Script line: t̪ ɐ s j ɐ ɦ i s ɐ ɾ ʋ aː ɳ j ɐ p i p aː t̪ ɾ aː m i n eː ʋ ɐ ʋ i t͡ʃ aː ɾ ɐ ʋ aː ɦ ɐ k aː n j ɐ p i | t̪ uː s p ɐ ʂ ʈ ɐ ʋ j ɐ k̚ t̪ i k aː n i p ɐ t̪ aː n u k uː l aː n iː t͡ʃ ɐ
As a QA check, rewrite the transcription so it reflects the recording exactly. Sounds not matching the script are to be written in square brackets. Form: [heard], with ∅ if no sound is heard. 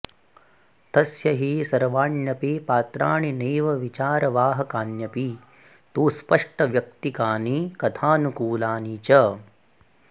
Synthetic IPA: t̪ ɐ s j ɐ ɦ i s ɐ ɾ ʋ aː ɳ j ɐ p i p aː t̪ ɾ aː [ɳ] i n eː ʋ ɐ ʋ i t͡ʃ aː ɾ ɐ ʋ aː ɦ ɐ k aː n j ɐ p i | t̪ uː s p ɐ ʂ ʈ ɐ ʋ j ɐ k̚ t̪ i k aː n i [k] ɐ [t̪ʰ] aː n u k uː l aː n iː t͡ʃ ɐ